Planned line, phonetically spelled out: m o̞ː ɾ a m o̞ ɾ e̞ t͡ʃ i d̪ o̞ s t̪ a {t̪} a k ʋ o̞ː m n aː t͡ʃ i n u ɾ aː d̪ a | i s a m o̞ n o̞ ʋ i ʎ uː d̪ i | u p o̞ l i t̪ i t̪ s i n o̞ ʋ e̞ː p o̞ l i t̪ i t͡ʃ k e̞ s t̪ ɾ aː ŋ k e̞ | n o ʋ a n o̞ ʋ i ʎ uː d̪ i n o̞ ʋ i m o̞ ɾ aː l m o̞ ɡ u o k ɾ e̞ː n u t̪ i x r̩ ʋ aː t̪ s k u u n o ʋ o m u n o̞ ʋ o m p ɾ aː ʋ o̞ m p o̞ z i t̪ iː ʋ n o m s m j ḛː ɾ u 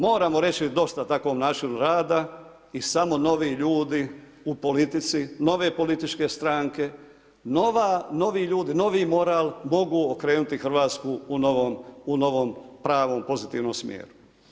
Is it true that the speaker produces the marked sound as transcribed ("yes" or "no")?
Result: yes